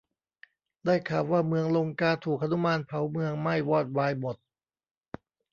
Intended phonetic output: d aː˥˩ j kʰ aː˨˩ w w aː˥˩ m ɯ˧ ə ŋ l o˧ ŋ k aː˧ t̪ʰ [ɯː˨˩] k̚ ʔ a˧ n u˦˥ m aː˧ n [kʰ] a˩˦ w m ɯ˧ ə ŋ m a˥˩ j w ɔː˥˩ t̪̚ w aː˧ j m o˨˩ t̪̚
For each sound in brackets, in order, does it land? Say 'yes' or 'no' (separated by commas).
no, no